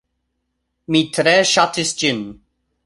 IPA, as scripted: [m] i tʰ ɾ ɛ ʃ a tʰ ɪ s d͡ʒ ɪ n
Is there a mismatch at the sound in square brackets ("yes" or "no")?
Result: no